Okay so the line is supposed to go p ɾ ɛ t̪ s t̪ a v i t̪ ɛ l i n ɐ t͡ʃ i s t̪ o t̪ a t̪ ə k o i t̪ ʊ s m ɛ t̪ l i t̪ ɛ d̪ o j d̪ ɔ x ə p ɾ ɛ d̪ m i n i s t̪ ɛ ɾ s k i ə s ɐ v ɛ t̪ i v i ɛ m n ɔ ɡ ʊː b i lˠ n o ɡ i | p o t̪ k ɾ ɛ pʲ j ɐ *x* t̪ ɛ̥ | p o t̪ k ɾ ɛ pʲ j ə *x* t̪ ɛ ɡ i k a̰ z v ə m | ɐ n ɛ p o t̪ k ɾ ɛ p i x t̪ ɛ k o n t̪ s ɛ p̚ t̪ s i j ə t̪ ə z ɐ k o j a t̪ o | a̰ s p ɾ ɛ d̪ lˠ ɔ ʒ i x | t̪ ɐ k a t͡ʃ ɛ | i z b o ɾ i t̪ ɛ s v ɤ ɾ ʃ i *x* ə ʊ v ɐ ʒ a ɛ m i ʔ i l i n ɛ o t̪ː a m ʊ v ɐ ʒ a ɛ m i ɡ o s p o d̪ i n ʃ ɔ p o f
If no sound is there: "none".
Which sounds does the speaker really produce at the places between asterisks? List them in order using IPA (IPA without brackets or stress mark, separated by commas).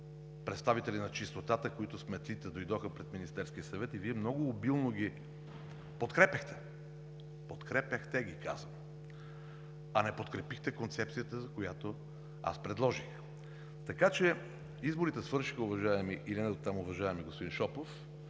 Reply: x, x, x